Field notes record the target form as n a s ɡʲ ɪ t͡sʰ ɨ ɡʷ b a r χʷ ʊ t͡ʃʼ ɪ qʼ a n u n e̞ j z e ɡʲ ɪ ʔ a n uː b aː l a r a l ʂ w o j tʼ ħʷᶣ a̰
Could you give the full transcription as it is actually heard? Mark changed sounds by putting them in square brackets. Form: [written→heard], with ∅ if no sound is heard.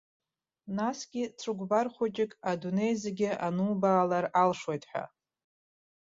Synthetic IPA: n a s ɡʲ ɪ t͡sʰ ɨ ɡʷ b a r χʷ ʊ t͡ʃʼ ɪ [qʼ→kʼ] a [n→d] u n e̞ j z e ɡʲ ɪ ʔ a n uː b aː l a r a l ʂ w o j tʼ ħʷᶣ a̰